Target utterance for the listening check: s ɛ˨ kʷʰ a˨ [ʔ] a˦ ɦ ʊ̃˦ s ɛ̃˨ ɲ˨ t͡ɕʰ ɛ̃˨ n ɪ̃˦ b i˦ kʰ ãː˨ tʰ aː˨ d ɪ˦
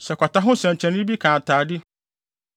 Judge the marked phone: incorrect: t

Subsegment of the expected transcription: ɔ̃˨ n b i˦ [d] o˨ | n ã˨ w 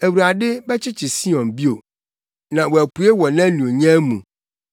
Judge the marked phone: incorrect: none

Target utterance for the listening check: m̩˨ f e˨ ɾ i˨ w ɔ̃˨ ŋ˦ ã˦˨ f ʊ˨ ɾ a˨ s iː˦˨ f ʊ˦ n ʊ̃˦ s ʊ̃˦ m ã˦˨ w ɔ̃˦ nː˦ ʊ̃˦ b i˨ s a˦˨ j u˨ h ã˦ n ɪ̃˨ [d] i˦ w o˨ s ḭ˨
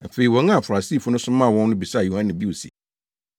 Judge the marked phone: incorrect: b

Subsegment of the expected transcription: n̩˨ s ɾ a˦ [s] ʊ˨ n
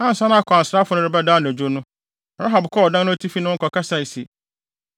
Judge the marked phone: incorrect: f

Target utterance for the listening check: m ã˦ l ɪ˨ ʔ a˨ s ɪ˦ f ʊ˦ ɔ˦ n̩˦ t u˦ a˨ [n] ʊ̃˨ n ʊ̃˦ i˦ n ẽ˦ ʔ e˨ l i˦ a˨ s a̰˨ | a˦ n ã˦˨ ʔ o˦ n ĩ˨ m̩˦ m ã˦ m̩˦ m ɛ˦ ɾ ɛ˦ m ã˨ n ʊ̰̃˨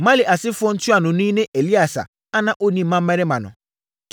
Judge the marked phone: correct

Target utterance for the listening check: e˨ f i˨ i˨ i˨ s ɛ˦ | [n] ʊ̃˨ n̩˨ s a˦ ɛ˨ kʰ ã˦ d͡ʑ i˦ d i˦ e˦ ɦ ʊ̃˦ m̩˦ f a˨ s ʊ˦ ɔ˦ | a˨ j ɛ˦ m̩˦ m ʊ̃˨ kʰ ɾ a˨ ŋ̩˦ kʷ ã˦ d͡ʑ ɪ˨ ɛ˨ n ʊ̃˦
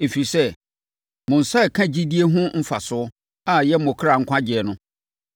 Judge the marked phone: incorrect: m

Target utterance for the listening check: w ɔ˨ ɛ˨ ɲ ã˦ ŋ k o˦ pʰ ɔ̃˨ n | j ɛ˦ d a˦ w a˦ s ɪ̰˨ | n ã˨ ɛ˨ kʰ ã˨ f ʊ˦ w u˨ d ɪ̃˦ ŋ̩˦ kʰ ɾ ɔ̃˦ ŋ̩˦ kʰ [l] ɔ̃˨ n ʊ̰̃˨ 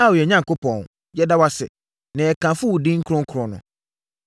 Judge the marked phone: incorrect: ɾ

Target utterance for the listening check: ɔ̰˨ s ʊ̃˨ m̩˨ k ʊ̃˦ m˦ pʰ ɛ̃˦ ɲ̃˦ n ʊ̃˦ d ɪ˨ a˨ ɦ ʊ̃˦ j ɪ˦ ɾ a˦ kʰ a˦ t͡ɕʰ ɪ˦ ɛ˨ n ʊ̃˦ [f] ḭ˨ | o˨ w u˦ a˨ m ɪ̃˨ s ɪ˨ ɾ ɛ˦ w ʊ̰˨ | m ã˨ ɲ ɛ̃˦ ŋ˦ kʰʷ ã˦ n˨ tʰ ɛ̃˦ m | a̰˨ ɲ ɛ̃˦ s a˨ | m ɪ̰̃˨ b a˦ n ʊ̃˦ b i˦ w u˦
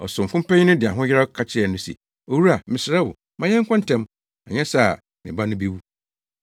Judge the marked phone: incorrect: s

